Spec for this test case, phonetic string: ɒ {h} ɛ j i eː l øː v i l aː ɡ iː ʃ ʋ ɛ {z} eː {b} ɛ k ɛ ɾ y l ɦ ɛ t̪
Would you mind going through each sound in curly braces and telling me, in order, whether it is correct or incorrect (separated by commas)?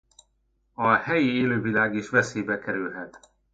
correct, incorrect, correct